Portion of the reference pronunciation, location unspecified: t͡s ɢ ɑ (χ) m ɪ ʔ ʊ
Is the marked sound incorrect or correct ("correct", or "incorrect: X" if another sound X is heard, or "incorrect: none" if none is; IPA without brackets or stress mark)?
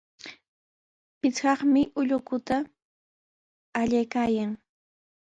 correct